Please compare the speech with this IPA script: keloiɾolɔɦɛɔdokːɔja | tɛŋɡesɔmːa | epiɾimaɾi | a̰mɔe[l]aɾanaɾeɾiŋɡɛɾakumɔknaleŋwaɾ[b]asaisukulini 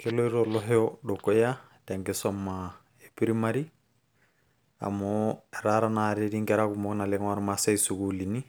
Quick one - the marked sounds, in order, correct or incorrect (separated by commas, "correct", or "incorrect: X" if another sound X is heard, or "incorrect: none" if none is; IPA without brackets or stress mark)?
incorrect: ɾ, incorrect: m